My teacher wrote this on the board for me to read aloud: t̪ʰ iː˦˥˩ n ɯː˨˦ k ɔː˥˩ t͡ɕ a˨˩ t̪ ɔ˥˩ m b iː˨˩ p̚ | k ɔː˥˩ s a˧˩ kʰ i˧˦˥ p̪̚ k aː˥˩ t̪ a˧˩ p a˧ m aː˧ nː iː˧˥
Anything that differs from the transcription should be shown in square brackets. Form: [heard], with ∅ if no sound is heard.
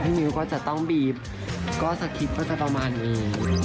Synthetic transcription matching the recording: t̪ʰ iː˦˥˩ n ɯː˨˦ k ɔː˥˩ t͡ɕ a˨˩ t̪ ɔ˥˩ [ŋ] b iː˨˩ p̚ | k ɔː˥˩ s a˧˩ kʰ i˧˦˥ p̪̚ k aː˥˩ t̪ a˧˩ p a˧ m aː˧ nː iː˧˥